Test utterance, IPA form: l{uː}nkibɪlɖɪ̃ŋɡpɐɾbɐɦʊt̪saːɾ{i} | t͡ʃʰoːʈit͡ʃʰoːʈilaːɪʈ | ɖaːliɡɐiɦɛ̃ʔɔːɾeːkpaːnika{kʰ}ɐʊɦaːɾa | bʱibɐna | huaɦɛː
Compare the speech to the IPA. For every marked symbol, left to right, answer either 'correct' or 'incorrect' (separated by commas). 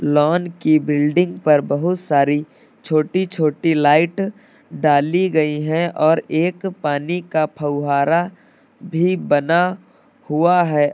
incorrect, correct, incorrect